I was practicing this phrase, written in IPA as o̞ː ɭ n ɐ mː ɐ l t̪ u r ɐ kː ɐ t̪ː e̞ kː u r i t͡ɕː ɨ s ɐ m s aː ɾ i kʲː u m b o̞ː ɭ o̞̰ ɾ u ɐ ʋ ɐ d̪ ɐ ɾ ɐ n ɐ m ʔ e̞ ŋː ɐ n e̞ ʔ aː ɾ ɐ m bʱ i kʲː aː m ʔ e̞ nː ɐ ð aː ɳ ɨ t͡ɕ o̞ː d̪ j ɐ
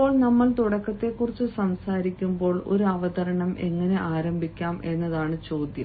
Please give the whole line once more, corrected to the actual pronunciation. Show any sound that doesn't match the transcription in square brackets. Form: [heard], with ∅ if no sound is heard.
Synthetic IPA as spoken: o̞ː ɭ n ɐ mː ɐ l t̪ u [ɽ] ɐ kː ɐ t̪ː e̞ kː u r i t͡ɕː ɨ s ɐ m s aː ɾ i kʲː u m b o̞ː ɭ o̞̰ ɾ u ɐ ʋ ɐ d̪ ɐ ɾ ɐ [ɳ] ɐ m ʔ e̞ ŋː ɐ n e̞ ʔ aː ɾ ɐ m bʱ i kʲː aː m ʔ e̞ nː ɐ ð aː ɳ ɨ t͡ɕ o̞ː d̪ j ɐ

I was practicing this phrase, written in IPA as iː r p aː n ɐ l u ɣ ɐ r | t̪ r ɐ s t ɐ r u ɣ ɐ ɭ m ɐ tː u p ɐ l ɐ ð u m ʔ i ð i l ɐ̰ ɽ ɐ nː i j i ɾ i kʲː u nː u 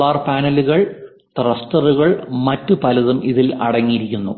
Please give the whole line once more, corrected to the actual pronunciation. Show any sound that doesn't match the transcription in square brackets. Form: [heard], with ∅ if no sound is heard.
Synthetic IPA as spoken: [aː] r p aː n ɐ l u ɣ ɐ [ɭ] | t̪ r ɐ s t ɐ r u ɣ ɐ ɭ m ɐ tː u p ɐ l ɐ ð u m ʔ i ð i l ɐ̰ ɽ ɐ [ŋː] i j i ɾ i kʲː u nː u

